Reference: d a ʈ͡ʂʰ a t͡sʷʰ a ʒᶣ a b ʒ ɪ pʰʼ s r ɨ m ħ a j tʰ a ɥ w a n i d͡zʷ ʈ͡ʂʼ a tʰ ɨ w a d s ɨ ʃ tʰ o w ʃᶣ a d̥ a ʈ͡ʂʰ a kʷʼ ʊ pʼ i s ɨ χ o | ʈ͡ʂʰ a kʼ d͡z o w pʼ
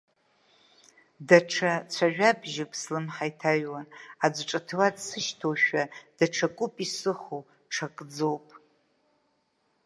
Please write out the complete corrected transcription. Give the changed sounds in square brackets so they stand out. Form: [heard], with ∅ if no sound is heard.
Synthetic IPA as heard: d a ʈ͡ʂʰ a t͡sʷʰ a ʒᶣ a b ʒ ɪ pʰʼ s [l] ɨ m ħ a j tʰ a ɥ w a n [a] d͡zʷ ʈ͡ʂʼ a tʰ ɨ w a d s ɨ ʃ tʰ o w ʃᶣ a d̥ a ʈ͡ʂʰ a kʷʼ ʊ pʼ i s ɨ χ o | ʈ͡ʂʰ a kʼ d͡z o w pʼ